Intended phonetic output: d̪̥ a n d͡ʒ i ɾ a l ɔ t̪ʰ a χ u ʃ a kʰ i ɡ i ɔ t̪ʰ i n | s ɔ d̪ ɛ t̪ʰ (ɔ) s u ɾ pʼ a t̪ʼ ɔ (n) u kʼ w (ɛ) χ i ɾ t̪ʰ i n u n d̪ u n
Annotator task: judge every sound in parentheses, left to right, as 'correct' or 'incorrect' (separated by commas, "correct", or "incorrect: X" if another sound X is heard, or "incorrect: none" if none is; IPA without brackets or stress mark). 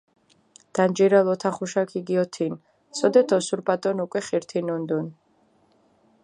correct, correct, correct